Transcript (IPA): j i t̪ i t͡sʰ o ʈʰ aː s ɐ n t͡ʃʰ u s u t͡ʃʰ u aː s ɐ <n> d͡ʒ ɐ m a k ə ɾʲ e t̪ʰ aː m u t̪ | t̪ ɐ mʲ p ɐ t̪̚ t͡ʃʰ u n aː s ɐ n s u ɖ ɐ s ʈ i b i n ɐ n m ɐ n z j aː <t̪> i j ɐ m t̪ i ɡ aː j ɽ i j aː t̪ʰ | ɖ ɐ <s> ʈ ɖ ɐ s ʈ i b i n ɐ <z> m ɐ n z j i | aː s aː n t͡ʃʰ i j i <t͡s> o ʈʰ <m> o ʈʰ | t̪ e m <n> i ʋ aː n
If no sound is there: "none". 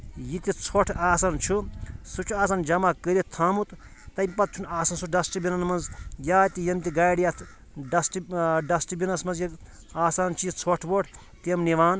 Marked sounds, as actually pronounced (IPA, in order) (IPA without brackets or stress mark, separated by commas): n, t̪, s, s, t͡sʰ, b, n